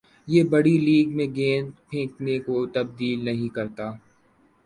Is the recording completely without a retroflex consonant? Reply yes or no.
no